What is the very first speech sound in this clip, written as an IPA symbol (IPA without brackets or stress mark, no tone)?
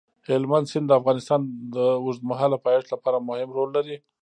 h